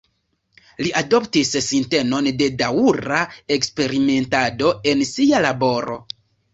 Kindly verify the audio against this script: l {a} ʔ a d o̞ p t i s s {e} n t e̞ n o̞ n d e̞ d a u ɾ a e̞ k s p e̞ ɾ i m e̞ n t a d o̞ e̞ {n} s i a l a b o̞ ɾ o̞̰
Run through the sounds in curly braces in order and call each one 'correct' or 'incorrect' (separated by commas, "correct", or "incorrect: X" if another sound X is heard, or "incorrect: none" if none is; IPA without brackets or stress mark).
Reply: incorrect: i, incorrect: i, correct